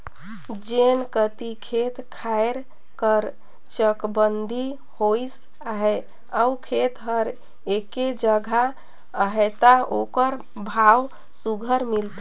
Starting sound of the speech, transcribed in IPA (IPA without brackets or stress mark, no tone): d͡ʒ